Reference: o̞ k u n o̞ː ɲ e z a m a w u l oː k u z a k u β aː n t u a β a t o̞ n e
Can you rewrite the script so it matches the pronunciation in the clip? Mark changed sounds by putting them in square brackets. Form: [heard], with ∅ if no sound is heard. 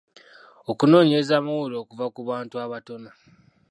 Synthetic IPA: o̞ k u n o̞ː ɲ e z a m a w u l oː k u [v] a k u β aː n t u a β a t o̞ n [a]